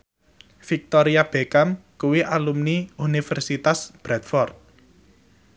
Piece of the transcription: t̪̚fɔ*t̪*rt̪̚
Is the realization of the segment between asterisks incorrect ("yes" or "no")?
yes